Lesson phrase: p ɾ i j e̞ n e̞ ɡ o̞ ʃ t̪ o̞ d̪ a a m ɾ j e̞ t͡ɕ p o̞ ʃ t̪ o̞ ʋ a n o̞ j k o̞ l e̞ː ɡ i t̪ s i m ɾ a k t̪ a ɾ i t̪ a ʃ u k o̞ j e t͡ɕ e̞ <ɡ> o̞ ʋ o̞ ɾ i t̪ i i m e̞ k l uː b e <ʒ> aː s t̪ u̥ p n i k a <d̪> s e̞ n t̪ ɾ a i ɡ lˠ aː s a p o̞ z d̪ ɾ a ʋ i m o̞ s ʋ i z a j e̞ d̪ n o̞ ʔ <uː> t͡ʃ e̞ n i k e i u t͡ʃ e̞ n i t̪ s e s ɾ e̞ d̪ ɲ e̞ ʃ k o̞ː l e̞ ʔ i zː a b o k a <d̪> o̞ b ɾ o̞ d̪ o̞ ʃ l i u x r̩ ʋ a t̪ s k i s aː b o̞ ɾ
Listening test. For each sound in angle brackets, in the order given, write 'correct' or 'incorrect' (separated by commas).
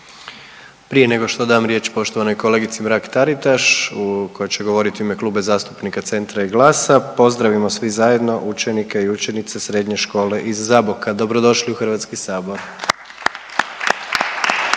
correct, incorrect, incorrect, incorrect, correct